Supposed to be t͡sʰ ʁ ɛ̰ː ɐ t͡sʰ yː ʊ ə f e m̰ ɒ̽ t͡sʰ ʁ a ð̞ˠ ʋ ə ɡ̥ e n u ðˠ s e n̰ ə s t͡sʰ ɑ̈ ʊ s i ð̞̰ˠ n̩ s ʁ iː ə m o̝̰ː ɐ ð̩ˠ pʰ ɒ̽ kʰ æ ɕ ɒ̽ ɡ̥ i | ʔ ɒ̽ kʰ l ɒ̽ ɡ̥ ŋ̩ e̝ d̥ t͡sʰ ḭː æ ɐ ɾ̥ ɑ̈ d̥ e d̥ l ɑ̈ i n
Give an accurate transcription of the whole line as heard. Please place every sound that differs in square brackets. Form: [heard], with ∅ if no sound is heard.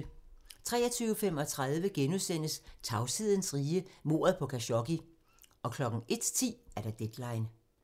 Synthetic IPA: t͡sʰ ʁ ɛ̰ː ɐ t͡sʰ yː ʊ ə f e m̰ ɒ̽ t͡sʰ ʁ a ð̞ˠ ʋ ə ɡ̥ e n u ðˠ s e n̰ ə s t͡sʰ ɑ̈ ʊ s i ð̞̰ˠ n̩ s ʁ iː ə m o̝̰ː ɐ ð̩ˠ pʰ ɒ̽ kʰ æ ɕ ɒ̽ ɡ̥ i | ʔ ɒ̽ kʰ l ɒ̽ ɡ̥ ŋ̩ e̝ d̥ t͡sʰ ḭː æ ɐ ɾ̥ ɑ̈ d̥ e d̥ l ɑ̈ [ɪ] n